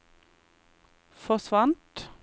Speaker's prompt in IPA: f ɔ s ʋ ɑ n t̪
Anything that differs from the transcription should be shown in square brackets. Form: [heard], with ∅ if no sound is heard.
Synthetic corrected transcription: f ɔ s ʋ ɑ n t̪